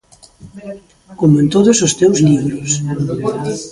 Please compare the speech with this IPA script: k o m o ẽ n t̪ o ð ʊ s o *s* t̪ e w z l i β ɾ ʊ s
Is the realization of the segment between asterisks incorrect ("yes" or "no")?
no